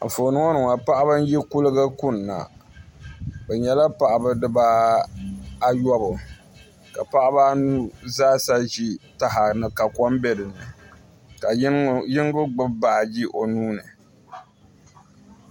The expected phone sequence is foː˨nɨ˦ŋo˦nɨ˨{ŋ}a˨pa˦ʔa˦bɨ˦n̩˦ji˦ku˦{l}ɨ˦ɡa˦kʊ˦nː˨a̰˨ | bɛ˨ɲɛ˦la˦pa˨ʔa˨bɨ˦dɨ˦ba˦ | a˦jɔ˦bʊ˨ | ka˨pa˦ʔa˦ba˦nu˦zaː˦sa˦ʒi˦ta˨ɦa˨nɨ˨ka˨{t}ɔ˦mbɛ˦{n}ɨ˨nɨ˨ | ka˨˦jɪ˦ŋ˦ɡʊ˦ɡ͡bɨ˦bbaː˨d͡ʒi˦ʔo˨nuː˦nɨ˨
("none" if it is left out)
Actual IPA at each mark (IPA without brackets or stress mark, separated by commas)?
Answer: ŋ, l, k, d